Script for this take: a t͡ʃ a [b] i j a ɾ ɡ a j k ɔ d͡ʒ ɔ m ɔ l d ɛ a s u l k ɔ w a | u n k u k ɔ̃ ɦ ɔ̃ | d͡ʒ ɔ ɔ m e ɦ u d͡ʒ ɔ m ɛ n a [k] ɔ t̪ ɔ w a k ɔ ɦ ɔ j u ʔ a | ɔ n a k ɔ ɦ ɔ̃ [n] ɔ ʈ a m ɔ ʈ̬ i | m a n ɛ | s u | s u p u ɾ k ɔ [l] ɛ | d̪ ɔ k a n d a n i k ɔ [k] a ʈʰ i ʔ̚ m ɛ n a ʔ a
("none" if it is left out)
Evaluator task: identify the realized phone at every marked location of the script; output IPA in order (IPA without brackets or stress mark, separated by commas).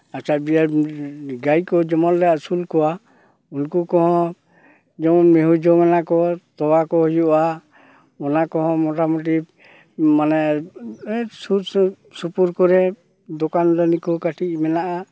b, k, m, ɾ, k